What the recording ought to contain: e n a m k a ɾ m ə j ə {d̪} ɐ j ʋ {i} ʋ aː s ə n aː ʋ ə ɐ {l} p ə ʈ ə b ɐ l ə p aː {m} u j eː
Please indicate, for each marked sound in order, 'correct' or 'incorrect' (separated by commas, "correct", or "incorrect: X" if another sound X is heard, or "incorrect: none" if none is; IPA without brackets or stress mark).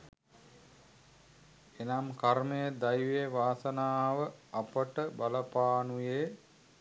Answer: correct, incorrect: e, incorrect: none, incorrect: n